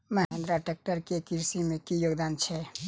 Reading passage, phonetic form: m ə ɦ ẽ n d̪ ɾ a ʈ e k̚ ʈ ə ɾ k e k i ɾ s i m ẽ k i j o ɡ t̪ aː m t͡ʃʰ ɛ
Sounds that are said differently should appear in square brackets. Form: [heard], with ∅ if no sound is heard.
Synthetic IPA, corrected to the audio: m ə ɦ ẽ n d̪ ɾ a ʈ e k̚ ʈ ə ɾ k e k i ɾ s i m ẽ k i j o ɡ [d̪] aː [n] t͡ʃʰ ɛ